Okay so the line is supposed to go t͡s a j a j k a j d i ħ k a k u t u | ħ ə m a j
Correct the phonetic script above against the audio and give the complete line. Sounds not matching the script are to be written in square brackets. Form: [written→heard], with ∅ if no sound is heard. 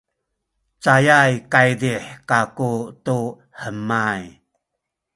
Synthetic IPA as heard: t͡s a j a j k a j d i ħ k a k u t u | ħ ə m a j